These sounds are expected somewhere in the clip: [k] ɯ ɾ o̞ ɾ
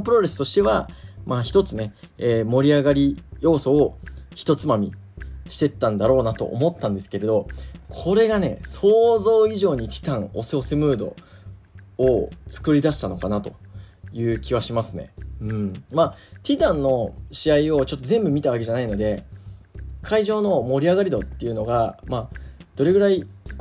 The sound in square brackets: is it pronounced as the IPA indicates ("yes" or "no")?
no